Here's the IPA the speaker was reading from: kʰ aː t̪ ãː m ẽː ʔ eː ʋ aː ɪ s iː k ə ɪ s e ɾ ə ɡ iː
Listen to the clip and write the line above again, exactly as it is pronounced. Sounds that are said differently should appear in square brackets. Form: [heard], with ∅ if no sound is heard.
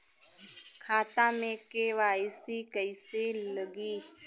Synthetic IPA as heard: kʰ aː t̪ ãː m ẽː [k] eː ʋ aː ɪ s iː k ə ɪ s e [l] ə ɡ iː